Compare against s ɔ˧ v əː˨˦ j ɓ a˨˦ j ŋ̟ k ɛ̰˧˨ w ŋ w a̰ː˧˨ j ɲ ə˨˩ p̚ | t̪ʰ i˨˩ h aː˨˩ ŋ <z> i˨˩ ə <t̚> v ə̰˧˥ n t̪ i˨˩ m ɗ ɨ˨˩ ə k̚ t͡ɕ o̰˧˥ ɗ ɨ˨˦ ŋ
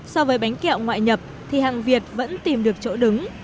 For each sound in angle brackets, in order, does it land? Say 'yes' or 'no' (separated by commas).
no, yes